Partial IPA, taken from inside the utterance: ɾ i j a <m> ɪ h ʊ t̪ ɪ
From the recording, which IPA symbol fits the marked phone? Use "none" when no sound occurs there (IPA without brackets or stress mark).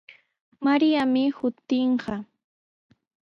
m